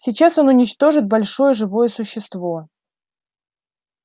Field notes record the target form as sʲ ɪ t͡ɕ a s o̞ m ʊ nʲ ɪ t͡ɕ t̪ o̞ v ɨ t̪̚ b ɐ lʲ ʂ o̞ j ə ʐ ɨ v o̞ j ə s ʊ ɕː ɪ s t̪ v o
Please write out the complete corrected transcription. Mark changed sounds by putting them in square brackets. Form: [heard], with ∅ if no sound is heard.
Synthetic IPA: sʲ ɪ t͡ɕ a s o̞ [n] ʊ nʲ ɪ t͡ɕ t̪ o̞ [ʐ] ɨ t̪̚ b ɐ lʲ ʂ o̞ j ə ʐ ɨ v o̞ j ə s ʊ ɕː ɪ s t̪ v o